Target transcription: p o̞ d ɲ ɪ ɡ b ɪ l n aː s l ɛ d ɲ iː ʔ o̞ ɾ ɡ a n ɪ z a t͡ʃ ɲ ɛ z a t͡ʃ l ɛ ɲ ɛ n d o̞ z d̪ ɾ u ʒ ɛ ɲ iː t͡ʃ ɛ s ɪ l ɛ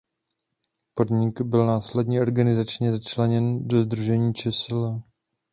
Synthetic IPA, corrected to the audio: p o̞ d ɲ ɪ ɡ b ɪ l n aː s l ɛ d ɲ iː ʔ o̞ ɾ ɡ a n ɪ z a t͡ʃ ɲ ɛ z a t͡ʃ l ɛ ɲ ɛ n d o̞ z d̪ ɾ u ʒ ɛ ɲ iː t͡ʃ ɛ s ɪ l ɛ